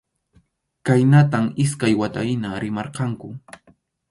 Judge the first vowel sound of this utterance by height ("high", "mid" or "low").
low